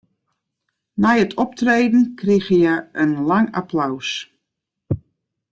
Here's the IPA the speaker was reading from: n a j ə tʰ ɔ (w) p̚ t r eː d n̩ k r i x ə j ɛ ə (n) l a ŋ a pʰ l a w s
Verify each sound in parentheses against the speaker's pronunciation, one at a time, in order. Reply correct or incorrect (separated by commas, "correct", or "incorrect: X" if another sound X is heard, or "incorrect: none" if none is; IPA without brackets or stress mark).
incorrect: none, correct